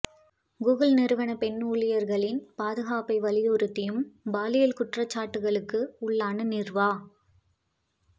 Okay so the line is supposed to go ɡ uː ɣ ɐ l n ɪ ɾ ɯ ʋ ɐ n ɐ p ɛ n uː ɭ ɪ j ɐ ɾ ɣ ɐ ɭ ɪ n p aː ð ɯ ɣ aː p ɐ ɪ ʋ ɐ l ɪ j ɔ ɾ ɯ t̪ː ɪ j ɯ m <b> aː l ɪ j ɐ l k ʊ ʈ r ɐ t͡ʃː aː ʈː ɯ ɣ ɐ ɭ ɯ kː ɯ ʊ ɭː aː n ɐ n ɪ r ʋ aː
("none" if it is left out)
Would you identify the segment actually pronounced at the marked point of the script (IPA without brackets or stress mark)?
b